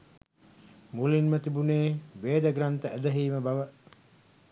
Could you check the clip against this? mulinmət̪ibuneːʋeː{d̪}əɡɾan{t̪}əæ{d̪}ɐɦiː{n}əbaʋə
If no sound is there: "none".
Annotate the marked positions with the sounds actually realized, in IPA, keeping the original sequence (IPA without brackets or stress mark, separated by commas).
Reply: d̪, t̪, d̪, m